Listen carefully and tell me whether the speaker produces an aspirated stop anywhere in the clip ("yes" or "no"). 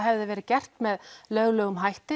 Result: no